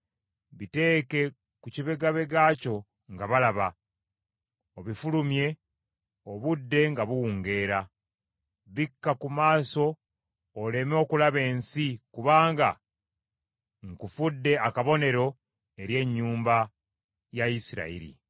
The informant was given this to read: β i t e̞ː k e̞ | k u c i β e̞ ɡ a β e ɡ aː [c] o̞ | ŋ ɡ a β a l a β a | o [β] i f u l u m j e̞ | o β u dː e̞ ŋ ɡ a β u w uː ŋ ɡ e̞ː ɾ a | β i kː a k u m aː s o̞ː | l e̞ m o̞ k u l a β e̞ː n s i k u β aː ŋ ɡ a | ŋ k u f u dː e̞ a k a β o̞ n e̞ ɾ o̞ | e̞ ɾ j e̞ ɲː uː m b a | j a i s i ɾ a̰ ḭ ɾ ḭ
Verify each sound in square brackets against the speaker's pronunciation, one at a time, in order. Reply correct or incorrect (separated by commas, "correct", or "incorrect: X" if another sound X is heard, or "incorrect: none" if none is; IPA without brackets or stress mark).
correct, correct